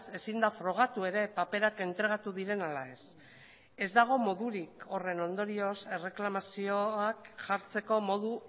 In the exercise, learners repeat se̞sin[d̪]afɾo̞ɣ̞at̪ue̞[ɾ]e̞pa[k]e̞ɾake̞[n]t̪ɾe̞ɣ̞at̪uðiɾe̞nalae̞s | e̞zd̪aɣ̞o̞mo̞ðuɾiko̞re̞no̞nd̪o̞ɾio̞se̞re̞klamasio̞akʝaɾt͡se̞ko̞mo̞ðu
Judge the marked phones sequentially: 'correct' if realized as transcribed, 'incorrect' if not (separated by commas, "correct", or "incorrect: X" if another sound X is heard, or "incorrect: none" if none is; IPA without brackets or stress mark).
correct, correct, incorrect: p, correct